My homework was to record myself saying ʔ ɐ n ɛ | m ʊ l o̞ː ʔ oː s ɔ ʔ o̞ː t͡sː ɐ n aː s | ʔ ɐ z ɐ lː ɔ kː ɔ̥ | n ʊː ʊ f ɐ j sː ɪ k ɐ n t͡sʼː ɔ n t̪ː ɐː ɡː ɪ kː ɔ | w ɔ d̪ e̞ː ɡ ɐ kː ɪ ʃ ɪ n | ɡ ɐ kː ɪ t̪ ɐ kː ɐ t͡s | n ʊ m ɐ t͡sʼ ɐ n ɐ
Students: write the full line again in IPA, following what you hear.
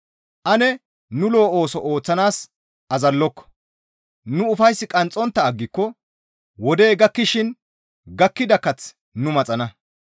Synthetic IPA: ʔ ɐ n ɛ | n ʊ l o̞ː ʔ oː s ɔ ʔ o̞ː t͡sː ɐ n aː s | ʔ ɐ z ɐ lː ɔ kː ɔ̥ | n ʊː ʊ f ɐ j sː ɪ kʼ ɐ n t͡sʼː ɔ n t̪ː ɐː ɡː ɪ kː ɔ | w ɔ d̪ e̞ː ɡ ɐ kː ɪ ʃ ɪ n | ɡ ɐ kː ɪ d̪ ɐ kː ɐ t͡s | n ʊ m ɐ t͡sʼ ɐ n ɐ

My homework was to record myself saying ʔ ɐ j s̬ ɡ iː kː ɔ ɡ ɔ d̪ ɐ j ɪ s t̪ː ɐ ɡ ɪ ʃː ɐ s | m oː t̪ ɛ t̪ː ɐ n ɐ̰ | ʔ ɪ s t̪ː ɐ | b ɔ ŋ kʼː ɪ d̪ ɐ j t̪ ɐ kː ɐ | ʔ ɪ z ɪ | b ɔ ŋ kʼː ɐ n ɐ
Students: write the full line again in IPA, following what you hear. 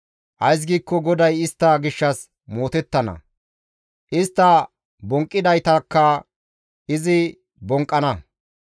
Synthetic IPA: ʔ ɐ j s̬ ɡ iː kː ɔ ɡ ɔ d̪ ɐ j ɪ s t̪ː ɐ ɡ ɪ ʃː ɐ s | m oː t̪ ɛ t̪ː ɐ n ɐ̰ | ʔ ɪ s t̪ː ɐ | b ɔ ŋ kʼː ɪ d̪ ɐ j t̪ ɐ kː ɐ | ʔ ɪ z ɪ | b ɔ ŋ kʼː ɐ n ɐ

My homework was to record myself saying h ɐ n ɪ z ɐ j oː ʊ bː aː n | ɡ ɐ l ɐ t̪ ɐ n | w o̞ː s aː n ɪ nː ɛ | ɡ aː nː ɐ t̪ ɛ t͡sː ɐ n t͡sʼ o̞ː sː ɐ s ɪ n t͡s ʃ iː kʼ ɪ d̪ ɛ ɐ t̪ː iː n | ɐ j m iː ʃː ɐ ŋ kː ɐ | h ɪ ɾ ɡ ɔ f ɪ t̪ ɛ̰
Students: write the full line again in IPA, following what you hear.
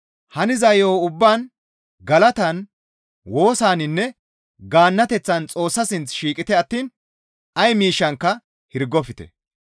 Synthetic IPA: h ɐ n ɪ z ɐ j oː ʊ bː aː n | ɡ ɐ l ɐ t̪ ɐ n | w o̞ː s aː n ɪ nː ɛ | ɡ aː nː ɐ t̪ ɛ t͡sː ɐ n t͡sʼ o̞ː sː ɐ s ɪ n t͡s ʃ iː kʼ ɪ t̪ ɛ ɐ t̪ː iː n | ɐ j m iː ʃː ɐ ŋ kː ɐ | h ɪ ɾ ɡ ɔ f ɪ t̪ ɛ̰

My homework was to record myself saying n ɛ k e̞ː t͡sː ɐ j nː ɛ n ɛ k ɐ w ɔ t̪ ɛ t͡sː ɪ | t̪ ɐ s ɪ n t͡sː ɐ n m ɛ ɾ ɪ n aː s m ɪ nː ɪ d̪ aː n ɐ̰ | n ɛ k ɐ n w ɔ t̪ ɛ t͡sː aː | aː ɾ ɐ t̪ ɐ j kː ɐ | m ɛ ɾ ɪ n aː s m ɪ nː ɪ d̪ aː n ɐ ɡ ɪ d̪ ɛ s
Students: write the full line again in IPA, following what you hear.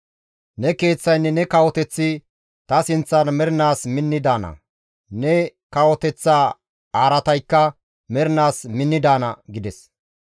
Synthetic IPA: n ɛ k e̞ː t͡sː ɐ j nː ɛ n ɛ k ɐ w ɔ t̪ ɛ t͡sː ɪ | t̪ ɐ s ɪ n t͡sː ɐ n m ɛ ɾ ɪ n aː s m ɪ nː ɪ d̪ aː n ɐ̰ | n ɛ k ɐ w ɔ t̪ ɛ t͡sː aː | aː ɾ ɐ t̪ ɐ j kː ɐ | m ɛ ɾ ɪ n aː s m ɪ nː ɪ d̪ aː n ɐ ɡ ɪ d̪ ɛ s

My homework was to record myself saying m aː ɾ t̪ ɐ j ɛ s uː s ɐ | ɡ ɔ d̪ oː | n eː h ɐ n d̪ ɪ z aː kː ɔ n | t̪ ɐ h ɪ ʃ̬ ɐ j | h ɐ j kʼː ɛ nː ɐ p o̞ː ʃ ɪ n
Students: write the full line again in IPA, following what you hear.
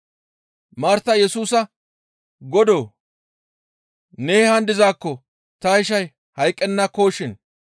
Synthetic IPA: m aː ɾ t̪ ɐ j ɛ s uː s ɐ | ɡ ɔ d̪ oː | n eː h ɐ n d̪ ɪ z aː kː ɔ | t̪ ɐ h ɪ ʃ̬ ɐ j | h ɐ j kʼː ɛ nː ɐ k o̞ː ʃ ɪ n

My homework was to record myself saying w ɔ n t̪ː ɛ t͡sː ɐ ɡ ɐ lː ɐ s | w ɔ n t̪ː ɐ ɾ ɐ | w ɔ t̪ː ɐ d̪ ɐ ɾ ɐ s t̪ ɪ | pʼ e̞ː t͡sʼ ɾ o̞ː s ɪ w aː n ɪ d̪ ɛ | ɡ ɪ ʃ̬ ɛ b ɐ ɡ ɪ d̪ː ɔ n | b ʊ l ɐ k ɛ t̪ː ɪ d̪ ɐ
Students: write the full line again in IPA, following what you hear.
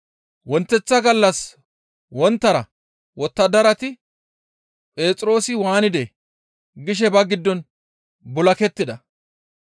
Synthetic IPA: w ɔ n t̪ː ɛ t͡sː ɐ ɡ ɐ lː ɐ s | w ɔ n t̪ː ɐ ɾ ɐ | w ɔ t̪ː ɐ d̪ ɐ ɾ ɐ t̪ ɪ | pʼ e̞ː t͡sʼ ɾ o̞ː s ɪ w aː n ɪ d̪ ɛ | ɡ ɪ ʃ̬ ɛ b ɐ ɡ ɪ d̪ː ɔ n | b ʊ l ɐ k ɛ t̪ː ɪ d̪ ɐ

